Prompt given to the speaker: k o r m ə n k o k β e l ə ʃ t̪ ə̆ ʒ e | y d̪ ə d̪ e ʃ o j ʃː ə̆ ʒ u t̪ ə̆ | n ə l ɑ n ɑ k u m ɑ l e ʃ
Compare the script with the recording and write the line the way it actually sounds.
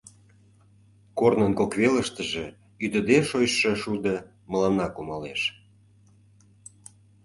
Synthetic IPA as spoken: k o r n ə n k o k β e l ə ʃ t̪ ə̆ ʒ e | y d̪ ə d̪ e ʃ o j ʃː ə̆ ʃ u d̪ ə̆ | m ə l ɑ n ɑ k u m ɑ l e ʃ

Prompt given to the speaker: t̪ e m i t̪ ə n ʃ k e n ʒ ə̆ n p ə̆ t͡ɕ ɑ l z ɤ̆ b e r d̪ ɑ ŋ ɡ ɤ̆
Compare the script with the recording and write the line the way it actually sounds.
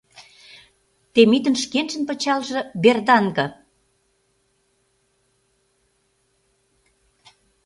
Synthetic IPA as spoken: t̪ e m i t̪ ə n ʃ k e n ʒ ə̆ n p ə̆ t͡ɕ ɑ l ʒ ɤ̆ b e r d̪ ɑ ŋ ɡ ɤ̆

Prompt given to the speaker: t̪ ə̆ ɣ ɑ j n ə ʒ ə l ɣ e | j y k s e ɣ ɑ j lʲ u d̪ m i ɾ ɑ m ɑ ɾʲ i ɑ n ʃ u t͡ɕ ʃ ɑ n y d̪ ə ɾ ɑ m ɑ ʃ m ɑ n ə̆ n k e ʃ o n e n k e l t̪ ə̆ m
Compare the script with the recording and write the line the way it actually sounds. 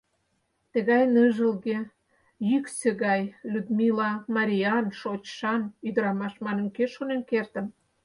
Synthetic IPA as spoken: t̪ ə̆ ɣ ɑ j n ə ʒ ə l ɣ e | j y k s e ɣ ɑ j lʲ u d̪ m i l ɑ m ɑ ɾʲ i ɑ n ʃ o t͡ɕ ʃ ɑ n y d̪ ə ɾ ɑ m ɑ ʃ m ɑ n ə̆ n k e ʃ o n e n k e r t̪ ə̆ m

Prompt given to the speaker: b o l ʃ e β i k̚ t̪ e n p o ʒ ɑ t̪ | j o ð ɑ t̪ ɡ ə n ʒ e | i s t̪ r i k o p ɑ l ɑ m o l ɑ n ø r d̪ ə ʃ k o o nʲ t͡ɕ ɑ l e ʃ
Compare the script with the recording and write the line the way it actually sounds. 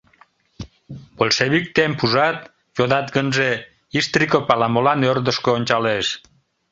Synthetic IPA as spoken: b o l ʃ e β i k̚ t̪ e m p u ʒ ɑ t̪ | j o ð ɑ t̪ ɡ ə n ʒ e | i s t̪ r i k o p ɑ l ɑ m o l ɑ n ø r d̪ ə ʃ k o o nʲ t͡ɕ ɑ l e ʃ

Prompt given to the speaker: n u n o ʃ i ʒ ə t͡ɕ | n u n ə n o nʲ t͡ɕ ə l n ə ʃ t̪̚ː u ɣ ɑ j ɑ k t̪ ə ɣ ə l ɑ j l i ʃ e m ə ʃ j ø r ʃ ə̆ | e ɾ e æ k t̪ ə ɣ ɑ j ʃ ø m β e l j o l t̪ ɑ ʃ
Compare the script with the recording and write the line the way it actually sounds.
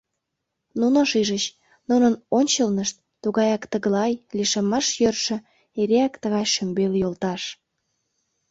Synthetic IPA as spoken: n u n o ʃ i ʒ ə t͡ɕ | n u n ə n o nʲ t͡ɕ ə l n ə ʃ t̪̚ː u ɣ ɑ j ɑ k t̪ ə ɣ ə l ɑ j l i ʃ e m ɑ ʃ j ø r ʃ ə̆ | e ɾ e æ k t̪ ə ɣ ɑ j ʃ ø m b e l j o l t̪ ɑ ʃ

